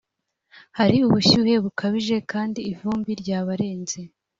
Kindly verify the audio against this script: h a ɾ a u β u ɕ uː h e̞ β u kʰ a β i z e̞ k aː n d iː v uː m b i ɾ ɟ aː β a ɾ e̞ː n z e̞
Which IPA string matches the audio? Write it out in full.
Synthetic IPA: h a ɾ i u β u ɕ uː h e̞ β u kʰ a β i ʒ e̞ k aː n d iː v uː m b i ɾ ɟ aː β a ɾ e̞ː n z e̞